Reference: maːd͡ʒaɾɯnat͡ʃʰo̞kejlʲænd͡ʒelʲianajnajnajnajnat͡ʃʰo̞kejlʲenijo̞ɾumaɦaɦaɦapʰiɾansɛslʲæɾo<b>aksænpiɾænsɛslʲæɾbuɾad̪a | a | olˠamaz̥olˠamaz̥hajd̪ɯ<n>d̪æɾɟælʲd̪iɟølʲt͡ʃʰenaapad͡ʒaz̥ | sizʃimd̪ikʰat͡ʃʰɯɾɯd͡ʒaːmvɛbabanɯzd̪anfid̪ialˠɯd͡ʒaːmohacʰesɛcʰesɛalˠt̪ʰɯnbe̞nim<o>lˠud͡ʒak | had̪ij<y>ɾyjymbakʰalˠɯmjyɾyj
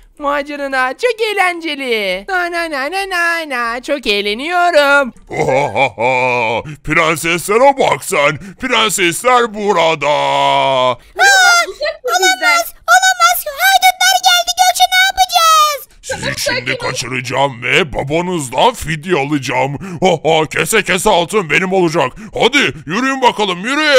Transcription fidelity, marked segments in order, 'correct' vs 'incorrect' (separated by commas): correct, correct, correct, correct